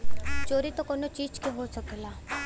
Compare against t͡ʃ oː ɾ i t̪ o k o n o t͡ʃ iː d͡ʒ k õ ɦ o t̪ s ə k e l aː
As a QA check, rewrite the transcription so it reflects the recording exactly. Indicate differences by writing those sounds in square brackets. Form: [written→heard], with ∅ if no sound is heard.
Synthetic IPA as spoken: t͡ʃ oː ɾ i t̪ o k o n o t͡ʃ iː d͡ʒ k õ ɦ o [t̪→∅] s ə k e l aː